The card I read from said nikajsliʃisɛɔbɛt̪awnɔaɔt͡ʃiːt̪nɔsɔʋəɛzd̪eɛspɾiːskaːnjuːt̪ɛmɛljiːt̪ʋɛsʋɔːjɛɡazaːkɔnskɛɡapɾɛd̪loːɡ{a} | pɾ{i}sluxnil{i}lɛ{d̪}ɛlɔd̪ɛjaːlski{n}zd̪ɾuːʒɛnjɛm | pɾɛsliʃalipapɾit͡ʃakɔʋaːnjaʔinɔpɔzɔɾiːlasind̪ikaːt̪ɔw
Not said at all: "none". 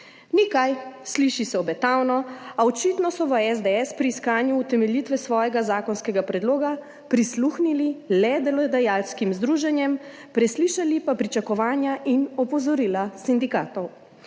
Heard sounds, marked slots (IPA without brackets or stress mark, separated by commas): a, i, i, d̪, m